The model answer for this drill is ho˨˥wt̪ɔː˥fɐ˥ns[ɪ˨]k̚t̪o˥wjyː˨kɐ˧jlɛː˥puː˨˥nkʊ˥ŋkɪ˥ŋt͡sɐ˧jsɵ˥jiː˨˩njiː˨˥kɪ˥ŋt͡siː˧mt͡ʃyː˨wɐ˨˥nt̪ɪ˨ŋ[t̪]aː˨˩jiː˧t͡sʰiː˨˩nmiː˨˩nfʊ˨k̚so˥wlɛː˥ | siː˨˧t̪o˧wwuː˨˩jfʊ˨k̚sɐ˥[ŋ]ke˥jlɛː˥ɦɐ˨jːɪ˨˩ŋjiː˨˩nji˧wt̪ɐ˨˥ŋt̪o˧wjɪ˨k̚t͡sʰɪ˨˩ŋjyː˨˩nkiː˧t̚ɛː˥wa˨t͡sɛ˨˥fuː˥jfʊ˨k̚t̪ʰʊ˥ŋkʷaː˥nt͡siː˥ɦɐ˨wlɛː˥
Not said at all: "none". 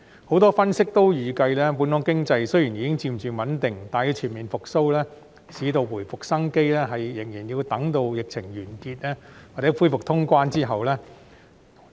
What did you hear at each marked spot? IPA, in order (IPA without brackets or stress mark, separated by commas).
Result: ɪ˥, t̪, ŋ